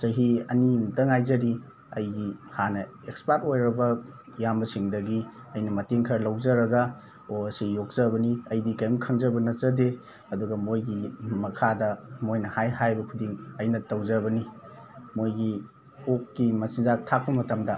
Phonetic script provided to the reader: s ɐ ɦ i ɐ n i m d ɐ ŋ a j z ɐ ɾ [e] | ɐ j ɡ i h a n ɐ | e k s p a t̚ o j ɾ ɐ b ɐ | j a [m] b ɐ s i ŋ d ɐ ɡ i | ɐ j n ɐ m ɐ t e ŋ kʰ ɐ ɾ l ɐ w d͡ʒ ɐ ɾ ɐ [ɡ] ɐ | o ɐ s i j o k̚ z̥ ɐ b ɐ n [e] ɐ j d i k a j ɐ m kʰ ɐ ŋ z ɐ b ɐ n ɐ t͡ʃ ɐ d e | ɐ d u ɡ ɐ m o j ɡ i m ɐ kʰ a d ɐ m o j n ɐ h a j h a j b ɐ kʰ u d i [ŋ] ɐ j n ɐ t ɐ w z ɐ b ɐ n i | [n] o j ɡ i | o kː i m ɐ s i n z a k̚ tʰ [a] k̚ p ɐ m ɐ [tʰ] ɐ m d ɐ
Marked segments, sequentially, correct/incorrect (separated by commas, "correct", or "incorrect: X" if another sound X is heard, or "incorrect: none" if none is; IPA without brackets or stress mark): incorrect: i, correct, correct, incorrect: i, correct, incorrect: m, correct, incorrect: t